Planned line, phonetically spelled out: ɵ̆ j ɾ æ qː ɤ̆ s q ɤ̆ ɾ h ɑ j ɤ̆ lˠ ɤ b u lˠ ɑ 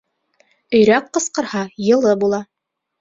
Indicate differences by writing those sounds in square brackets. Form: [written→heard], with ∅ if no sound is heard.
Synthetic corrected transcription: ɵ̆ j ɾ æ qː ɤ̆ s q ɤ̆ ɾ h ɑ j ɤ̆ lˠ ɤ b u lˠ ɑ